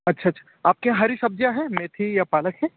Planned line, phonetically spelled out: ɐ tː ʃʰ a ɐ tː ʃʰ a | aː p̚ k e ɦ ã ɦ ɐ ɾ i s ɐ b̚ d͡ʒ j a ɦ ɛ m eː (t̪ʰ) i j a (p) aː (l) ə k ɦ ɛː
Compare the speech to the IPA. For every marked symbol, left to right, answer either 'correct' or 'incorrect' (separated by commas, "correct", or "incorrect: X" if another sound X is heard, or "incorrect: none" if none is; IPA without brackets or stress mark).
correct, correct, correct